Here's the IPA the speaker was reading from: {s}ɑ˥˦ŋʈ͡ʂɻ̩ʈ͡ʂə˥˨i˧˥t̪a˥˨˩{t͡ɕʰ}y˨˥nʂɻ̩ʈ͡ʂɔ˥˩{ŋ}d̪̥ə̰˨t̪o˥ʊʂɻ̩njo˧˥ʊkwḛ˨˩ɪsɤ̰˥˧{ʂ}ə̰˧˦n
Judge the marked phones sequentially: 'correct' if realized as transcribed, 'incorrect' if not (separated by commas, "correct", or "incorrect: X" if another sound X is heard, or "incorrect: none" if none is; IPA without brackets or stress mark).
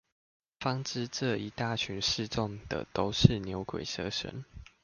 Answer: incorrect: f, correct, correct, correct